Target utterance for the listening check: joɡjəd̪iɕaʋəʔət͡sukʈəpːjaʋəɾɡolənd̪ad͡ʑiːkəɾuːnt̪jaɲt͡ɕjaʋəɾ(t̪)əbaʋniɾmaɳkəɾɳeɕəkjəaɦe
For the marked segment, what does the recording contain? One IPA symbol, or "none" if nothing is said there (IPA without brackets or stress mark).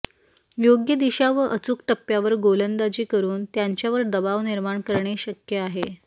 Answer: d̪